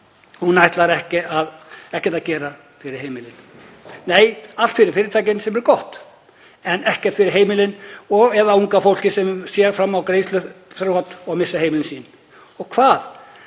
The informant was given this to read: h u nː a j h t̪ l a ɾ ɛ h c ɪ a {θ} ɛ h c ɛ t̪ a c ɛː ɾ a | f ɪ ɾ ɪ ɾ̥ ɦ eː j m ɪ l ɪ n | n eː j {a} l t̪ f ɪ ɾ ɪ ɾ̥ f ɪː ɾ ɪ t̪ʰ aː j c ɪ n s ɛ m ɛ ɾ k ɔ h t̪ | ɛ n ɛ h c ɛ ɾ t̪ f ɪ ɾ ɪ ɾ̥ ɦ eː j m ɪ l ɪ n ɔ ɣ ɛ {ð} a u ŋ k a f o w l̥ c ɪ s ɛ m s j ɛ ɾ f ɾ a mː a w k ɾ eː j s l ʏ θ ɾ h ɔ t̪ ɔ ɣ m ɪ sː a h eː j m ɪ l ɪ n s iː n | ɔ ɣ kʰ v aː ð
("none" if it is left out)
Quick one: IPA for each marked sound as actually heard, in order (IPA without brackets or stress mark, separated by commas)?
ð, a, ð